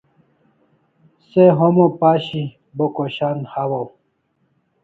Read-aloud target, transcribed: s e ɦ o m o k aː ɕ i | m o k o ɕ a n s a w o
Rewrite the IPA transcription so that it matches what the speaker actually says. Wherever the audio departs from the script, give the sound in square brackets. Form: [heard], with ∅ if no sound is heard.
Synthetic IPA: s e ɦ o m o [p] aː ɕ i | [b] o k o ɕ a n [h] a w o